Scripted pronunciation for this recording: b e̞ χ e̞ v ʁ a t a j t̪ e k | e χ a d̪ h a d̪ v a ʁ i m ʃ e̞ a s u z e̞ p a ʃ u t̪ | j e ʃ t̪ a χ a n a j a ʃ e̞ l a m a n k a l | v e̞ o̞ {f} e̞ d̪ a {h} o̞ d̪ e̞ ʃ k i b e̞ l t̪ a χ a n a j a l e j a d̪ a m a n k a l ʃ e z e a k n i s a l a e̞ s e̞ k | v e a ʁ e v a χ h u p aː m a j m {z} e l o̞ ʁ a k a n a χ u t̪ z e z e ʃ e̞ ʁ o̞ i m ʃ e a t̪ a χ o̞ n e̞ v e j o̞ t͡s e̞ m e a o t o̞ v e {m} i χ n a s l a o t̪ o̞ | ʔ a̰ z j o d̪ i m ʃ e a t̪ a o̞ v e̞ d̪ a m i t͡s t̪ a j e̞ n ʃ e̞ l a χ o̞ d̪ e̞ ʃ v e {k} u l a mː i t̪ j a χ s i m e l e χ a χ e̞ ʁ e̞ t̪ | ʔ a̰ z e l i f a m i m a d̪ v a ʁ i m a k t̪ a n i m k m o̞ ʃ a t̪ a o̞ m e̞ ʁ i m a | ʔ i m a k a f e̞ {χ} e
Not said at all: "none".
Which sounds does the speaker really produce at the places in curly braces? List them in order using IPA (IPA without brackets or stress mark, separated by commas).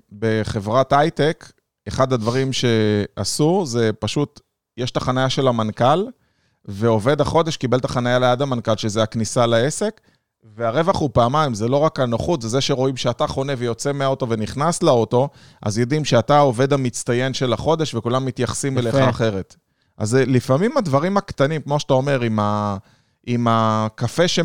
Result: v, χ, z, n, k, ʃ